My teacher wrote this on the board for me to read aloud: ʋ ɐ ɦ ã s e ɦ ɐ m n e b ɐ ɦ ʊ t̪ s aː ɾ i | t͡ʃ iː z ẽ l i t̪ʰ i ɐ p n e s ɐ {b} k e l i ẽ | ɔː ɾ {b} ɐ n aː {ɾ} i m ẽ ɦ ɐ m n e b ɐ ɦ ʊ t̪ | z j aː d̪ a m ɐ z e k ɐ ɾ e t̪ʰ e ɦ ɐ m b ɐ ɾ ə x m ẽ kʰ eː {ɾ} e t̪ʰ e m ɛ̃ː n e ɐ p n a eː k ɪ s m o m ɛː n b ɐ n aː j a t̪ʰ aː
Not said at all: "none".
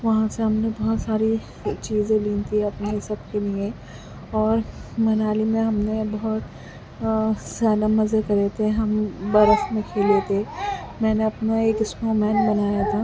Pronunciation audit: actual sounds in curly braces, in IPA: b, m, l, l

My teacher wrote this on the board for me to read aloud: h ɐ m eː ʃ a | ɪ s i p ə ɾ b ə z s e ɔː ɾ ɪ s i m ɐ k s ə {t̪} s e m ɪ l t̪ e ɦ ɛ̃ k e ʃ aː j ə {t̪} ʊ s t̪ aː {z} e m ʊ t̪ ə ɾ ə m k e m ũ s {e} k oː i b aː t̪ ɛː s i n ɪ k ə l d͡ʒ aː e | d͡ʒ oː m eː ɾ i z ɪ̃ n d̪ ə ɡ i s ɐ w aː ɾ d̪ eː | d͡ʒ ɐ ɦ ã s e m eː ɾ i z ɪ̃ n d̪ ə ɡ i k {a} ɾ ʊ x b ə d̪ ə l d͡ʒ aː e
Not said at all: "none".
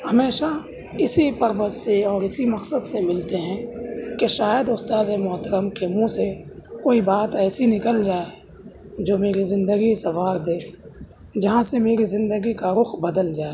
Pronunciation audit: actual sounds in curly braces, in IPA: d̪, d̪, z, e, a

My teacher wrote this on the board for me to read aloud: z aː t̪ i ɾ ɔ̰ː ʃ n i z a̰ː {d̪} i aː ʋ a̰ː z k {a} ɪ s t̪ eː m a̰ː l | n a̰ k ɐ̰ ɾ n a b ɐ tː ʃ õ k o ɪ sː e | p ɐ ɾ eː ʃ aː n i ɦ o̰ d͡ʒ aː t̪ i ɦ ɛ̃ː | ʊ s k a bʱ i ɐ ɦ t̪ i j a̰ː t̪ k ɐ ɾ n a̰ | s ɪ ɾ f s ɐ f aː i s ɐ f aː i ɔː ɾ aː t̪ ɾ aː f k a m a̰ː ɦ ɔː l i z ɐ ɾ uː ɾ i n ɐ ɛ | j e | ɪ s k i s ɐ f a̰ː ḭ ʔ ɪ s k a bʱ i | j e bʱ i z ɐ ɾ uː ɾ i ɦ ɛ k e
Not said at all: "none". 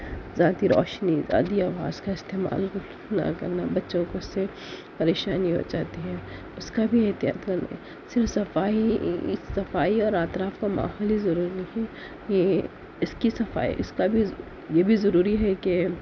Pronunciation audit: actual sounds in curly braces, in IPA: d̪, a

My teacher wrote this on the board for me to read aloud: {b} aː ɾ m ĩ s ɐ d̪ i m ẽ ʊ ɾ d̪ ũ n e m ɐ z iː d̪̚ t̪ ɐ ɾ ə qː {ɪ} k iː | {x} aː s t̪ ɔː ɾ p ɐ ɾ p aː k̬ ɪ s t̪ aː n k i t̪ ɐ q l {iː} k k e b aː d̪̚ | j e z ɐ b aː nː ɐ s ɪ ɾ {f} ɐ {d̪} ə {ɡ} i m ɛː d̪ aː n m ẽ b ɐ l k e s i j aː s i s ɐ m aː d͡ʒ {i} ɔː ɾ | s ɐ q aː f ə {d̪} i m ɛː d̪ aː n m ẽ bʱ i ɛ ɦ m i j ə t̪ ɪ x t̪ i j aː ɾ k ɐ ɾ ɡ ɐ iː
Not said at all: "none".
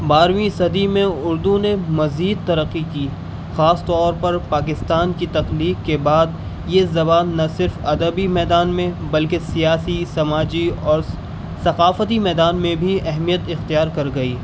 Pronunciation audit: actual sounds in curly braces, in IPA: b, i, x, iː, f, d̪, b, i, t̪

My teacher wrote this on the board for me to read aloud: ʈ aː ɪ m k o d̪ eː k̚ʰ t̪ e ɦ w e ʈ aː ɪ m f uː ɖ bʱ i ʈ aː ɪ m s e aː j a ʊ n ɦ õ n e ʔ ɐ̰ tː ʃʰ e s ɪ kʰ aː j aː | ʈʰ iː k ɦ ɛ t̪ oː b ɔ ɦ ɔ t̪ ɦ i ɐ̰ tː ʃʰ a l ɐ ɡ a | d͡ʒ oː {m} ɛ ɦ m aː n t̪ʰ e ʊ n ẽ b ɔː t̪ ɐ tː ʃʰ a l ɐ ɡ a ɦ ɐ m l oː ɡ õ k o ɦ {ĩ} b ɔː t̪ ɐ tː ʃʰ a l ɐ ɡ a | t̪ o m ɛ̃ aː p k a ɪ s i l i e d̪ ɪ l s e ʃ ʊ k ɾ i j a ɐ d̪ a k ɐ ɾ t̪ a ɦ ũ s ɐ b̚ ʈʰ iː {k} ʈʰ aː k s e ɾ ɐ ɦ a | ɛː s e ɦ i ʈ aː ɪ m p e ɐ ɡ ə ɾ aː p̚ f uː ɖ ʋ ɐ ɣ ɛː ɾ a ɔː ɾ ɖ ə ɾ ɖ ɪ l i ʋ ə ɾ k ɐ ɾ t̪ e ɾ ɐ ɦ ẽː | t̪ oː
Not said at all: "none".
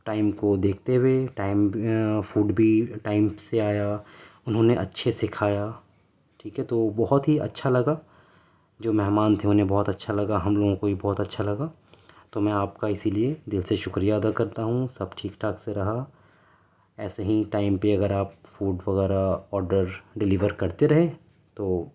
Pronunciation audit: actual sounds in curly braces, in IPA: m, i, k

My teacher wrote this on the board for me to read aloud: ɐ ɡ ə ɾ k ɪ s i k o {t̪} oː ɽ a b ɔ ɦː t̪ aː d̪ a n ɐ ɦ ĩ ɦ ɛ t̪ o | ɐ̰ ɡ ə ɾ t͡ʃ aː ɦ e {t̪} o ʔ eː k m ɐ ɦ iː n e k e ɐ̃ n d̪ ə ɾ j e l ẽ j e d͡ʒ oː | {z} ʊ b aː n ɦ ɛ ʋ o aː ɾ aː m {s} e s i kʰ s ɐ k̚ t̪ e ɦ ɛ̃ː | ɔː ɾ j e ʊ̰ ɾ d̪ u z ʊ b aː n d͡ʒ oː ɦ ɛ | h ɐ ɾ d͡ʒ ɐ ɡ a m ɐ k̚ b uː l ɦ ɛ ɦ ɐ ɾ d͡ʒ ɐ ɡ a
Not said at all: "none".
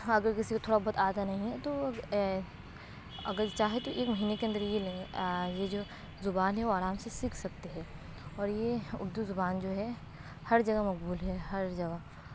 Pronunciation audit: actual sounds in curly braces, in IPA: t̪ʰ, t̪, z, s

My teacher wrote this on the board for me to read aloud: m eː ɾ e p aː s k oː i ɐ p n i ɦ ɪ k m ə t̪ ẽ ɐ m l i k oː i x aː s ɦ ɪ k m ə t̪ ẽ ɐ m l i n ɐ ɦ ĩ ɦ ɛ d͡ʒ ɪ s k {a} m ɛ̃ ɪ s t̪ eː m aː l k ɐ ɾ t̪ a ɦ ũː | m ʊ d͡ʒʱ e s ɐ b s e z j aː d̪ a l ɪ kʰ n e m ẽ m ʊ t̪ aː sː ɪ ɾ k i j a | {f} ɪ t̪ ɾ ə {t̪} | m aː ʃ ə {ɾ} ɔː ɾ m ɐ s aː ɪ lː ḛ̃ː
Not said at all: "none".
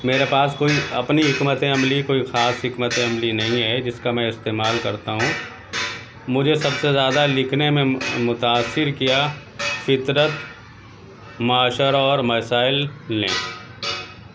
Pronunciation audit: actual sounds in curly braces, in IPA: a, f, t̪, ɾ

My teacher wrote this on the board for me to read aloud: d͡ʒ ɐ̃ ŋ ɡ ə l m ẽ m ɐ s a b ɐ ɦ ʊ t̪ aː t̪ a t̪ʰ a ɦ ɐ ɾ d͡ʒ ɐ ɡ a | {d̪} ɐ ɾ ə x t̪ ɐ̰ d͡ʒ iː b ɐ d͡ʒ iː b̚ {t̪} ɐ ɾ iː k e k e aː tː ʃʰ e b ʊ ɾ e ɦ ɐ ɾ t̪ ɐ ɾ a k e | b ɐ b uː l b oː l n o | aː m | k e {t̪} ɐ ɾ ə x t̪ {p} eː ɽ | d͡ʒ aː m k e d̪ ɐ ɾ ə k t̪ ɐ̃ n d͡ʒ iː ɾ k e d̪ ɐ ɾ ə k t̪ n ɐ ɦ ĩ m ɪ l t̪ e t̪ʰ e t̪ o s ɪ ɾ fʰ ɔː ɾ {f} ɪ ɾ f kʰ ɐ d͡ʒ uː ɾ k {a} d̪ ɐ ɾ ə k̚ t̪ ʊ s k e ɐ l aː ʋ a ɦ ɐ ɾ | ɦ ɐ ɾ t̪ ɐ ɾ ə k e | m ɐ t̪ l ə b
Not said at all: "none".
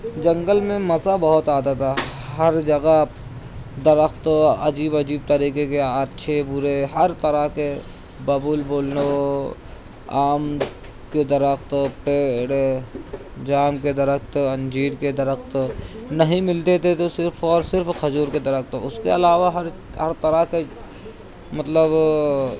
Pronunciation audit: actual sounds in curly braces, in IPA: d̪, t̪, d̪, p, s, e

